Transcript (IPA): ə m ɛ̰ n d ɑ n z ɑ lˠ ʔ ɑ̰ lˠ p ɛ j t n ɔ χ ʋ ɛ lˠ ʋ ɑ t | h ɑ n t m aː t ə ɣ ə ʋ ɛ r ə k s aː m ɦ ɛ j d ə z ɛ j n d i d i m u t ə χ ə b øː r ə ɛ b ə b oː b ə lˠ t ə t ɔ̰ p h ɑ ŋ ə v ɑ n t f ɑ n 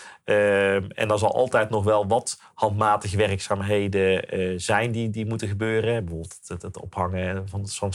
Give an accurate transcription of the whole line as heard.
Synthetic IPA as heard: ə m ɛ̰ n d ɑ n z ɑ lˠ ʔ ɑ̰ lˠ t ɛ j t n ɔ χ ʋ ɛ lˠ ʋ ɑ t | h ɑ n t m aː t ə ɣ ə ʋ ɛ r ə k s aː m ɦ e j d ə z ɛ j n d i d i m u t ə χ ə b øː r ə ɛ b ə v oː b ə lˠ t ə t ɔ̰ p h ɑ ŋ ə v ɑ n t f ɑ n